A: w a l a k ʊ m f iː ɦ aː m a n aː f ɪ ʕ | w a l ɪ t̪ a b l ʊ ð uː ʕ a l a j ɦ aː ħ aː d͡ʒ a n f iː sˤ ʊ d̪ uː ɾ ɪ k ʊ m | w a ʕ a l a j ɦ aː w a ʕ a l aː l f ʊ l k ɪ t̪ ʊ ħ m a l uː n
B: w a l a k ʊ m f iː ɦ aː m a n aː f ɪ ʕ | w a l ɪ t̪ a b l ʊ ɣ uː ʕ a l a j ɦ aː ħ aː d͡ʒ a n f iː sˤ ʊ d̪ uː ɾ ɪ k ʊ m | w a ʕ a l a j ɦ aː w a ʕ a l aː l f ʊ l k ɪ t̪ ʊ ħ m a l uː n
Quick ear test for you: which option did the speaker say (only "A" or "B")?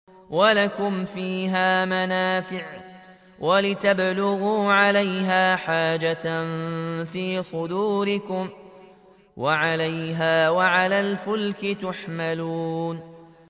B